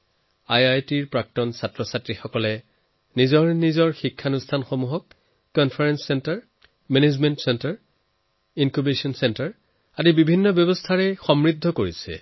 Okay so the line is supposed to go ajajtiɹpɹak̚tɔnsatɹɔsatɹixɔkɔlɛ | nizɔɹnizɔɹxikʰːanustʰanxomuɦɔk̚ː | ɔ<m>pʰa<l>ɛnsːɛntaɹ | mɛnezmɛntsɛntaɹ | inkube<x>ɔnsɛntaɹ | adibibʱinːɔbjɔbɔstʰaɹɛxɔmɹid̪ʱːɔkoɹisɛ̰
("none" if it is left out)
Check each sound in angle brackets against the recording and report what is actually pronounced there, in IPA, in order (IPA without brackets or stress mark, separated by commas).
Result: n, ɹ, s